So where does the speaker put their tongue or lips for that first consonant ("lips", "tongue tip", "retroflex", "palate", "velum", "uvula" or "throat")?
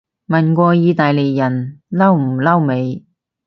lips